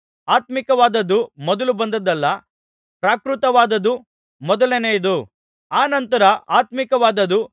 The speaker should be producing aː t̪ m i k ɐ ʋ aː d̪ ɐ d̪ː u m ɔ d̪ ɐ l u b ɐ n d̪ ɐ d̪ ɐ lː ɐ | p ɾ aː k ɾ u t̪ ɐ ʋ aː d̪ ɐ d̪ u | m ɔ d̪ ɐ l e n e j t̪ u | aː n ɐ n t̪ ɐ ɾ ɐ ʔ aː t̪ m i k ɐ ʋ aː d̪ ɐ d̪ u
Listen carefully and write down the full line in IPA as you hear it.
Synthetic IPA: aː t̪ m i k ɐ ʋ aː d̪ ɐ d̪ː u m ɔ d̪ ɐ l u b ɐ n d̪ ɐ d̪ ɐ lː ɐ | p ɾ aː k ɾ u t̪ ɐ ʋ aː d̪ ɐ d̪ u | m ɔ d̪ ɐ l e n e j d̪ u | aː n ɐ n t̪ ɐ ɾ ɐ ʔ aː t̪ m i k ɐ ʋ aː d̪ ɐ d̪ u